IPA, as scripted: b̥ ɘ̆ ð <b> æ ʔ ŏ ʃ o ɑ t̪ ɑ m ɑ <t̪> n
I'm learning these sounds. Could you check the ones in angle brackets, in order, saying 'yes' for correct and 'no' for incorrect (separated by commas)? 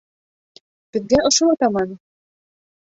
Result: no, no